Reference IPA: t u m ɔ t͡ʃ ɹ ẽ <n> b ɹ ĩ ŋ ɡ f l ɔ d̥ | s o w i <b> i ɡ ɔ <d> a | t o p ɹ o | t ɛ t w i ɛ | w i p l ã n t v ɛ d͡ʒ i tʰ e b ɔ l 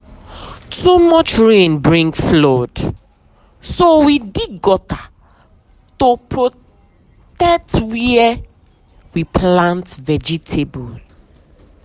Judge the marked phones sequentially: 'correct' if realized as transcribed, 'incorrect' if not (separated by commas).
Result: correct, incorrect, incorrect